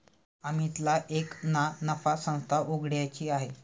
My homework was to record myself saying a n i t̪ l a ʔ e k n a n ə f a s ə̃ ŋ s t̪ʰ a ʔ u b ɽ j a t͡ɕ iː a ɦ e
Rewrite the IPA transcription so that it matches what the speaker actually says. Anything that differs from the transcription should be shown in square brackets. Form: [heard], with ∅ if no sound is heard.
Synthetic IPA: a [m] i t̪ l a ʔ e k n a n ə f a s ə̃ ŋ s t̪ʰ a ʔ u [ɡ] ɽ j a t͡ɕ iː a ɦ e